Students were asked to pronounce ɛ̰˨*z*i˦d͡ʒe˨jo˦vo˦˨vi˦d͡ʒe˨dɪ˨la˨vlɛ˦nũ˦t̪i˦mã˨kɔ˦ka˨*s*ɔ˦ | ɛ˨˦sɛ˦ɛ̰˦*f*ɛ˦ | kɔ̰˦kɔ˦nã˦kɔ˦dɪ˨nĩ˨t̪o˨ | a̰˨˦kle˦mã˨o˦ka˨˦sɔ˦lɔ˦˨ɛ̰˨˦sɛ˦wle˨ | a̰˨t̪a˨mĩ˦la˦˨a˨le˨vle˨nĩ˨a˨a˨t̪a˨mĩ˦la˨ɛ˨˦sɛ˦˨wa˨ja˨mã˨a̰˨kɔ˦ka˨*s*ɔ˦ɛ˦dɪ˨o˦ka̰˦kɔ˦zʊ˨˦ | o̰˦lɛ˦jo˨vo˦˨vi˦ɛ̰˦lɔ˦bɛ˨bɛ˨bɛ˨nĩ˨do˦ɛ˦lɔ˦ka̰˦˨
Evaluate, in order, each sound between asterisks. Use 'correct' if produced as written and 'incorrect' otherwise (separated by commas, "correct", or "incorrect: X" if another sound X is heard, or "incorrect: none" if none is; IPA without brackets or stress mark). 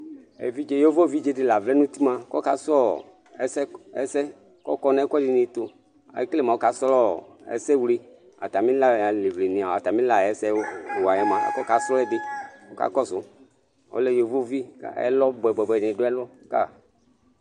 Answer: incorrect: v, correct, incorrect: s, correct